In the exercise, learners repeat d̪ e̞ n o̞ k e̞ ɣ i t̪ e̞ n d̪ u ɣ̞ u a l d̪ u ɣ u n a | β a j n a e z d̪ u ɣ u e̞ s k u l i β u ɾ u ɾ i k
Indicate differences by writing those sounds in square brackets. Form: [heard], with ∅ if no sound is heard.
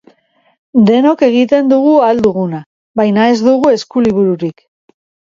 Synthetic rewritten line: d̪ e̞ n o̞ k e̞ ɣ i t̪ e̞ n d̪ u ɣ̞ u a l d̪ u ɣ u n a | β a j n a e z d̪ u ɣ u e̞ s k u l i β u ɾ u ɾ i k